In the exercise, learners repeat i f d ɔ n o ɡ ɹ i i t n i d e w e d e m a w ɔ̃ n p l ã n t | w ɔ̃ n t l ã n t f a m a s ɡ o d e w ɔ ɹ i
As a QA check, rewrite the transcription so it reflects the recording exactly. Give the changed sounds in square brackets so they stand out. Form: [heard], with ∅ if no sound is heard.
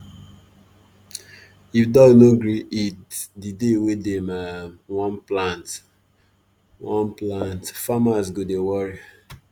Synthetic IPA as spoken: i f d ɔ n o ɡ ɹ i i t [d] i d e w e d e m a w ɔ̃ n p l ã n t | w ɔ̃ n [p] l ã n t f a m a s ɡ o d e w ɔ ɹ i